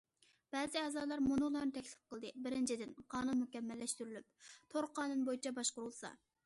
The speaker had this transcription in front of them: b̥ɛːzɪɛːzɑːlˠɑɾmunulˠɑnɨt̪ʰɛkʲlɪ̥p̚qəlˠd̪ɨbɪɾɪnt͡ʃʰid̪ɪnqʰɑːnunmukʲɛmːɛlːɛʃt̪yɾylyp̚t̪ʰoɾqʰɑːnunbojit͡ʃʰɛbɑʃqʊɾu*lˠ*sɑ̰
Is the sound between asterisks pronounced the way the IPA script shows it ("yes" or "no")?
yes